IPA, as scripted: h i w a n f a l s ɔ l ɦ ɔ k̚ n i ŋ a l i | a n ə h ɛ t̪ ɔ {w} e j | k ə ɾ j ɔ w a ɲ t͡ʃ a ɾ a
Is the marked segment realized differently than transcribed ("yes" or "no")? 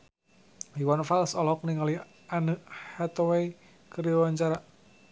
no